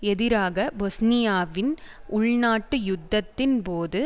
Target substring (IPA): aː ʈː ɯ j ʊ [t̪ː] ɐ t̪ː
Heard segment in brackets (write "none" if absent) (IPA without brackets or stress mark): d̪ː